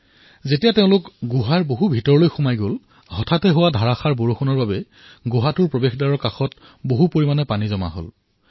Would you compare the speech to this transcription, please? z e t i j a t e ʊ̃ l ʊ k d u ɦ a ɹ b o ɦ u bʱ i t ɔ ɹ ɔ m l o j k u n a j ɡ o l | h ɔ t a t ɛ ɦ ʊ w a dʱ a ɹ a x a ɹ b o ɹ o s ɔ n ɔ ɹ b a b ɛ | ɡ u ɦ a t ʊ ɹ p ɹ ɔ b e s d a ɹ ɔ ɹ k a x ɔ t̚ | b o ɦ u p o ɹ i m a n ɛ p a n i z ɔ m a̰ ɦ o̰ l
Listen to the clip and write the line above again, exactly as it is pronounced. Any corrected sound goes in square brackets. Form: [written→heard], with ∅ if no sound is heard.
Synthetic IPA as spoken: z e t i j a t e ʊ̃ l ʊ k [d→ɡ] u ɦ a ɹ b o ɦ u bʱ i t ɔ ɹ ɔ [m→∅] l o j [k→x] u [n→m] a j ɡ o l | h ɔ [t→tʰ] a t ɛ ɦ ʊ w a dʱ a ɹ a x a ɹ b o ɹ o [s→x] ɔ n ɔ ɹ b a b ɛ | ɡ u ɦ a t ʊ ɹ p ɹ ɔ b e [s→x] d a ɹ ɔ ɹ k a x ɔ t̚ | b o ɦ u p o ɹ i m a n ɛ p a n i z ɔ m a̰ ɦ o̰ l